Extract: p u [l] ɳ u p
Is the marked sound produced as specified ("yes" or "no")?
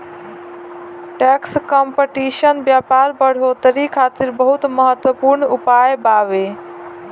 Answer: no